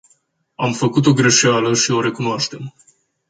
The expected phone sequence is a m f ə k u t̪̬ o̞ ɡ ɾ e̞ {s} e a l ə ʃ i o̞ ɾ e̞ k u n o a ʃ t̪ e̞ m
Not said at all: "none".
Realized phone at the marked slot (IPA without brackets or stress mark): ʃ